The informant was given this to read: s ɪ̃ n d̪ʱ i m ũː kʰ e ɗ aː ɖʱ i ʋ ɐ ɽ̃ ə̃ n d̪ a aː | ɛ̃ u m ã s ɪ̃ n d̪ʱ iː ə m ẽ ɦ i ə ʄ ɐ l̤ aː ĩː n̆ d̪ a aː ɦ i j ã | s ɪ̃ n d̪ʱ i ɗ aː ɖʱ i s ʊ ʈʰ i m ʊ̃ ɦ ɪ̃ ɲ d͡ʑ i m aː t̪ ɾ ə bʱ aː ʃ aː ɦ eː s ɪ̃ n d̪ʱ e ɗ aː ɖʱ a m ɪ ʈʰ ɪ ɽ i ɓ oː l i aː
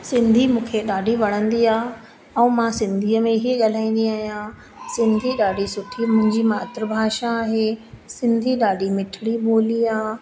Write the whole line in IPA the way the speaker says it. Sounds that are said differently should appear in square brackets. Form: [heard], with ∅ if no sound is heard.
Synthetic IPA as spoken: s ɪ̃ n d̪ʱ i m ũː kʰ e ɗ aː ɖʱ i ʋ ɐ ɽ̃ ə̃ n d̪ [i] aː | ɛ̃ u m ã s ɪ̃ n d̪ʱ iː ə m ẽ ɦ i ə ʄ ɐ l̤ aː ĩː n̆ d̪ [i] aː ɦ i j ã | s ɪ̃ n d̪ʱ i ɗ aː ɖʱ i s ʊ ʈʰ i m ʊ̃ ɦ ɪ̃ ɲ d͡ʑ i m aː t̪ ɾ ə bʱ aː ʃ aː ɦ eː s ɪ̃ n d̪ʱ [i] ɗ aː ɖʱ [i] m ɪ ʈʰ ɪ ɽ i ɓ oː l i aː